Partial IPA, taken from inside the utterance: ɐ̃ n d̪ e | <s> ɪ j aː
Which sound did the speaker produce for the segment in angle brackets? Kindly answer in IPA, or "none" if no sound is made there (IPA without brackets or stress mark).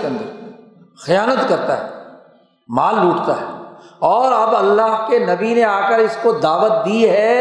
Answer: x